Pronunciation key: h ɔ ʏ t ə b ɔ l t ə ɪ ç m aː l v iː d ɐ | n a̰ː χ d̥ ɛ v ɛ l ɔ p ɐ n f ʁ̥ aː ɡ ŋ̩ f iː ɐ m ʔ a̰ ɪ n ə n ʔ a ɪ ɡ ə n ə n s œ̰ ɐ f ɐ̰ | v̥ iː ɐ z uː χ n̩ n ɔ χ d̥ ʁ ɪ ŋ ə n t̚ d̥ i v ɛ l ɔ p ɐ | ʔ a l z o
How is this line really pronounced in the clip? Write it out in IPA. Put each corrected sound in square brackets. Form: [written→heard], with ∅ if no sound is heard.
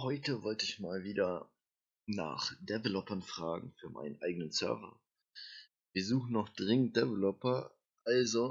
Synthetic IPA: h ɔ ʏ t ə [b→v] ɔ l t ə ɪ ç m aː l v iː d ɐ | n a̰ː χ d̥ ɛ v ɛ l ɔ p ɐ n f ʁ̥ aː ɡ ŋ̩ f [iː→yː] ɐ m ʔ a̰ ɪ n ə n ʔ a ɪ ɡ ə n ə n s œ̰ ɐ [f→v] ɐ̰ | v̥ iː ɐ z uː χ n̩ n ɔ χ d̥ ʁ ɪ ŋ ə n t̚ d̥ [i→ɛ] v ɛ l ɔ p ɐ | ʔ a l z o